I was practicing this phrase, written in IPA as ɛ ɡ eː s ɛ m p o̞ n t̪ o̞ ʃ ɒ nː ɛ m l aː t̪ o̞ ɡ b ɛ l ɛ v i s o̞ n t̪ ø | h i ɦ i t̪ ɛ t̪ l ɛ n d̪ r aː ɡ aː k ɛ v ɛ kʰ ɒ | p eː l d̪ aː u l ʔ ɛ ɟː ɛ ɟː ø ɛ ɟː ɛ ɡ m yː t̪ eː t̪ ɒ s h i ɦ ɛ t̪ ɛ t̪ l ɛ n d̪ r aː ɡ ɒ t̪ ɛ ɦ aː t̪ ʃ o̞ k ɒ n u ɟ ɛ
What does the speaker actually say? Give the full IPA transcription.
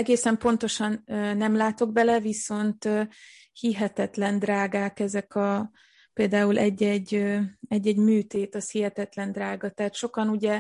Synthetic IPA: ɛ ɡ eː s ɛ m p o̞ n t̪ o̞ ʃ ɒ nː ɛ m l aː t̪ o̞ ɡ b ɛ l ɛ v i s o̞ n t̪ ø | h i ɦ ɛ t̪ ɛ t̪ l ɛ n d̪ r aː ɡ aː k ɛ z ɛ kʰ ɒ | p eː l d̪ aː u l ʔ ɛ ɟː ɛ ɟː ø ɛ ɟː ɛ ɟ m yː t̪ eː t̪ ɒ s h i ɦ ɛ t̪ ɛ t̪ l ɛ n d̪ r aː ɡ ɒ t̪ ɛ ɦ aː t̪ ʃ o̞ k ɒ n u ɟ ɛ